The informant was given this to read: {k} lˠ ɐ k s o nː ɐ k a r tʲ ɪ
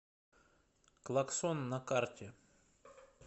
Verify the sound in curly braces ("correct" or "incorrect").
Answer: correct